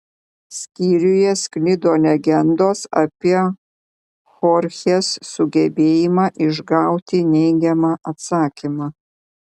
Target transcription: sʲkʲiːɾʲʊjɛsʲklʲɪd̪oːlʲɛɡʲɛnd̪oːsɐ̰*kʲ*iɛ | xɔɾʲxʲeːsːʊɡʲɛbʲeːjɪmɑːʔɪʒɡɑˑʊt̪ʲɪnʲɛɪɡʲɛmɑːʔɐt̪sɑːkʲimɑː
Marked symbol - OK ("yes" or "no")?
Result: no